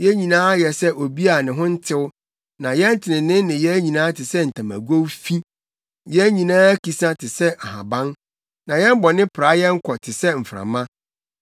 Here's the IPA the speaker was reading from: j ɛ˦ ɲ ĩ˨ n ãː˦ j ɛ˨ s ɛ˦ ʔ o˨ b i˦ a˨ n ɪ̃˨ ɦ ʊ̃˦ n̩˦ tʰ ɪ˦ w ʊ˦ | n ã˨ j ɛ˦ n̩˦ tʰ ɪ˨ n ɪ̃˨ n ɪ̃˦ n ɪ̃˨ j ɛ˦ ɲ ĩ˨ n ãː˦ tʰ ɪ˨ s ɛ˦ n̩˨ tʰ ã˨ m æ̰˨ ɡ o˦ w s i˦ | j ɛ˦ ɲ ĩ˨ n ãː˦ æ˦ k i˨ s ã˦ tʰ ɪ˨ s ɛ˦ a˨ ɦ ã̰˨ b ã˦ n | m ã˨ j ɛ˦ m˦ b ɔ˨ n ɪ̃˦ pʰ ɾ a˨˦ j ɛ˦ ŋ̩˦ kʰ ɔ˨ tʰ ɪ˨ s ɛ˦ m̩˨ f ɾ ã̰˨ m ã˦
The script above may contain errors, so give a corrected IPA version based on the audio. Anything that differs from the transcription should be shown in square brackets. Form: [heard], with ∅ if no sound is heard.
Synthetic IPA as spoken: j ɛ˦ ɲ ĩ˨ n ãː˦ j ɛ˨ s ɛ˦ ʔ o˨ b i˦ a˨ n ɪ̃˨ ɦ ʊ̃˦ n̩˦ tʰ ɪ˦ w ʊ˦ | n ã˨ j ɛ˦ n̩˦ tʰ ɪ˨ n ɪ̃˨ n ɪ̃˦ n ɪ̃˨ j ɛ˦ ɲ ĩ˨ n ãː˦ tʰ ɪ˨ s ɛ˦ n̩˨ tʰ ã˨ m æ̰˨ ɡ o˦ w [f] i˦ | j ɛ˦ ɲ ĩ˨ n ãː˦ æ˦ k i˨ s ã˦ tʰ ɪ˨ s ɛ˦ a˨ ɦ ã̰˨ b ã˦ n | [n] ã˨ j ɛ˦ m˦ b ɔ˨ n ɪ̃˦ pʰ ɾ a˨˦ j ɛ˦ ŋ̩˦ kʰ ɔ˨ tʰ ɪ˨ s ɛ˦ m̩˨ f ɾ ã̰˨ m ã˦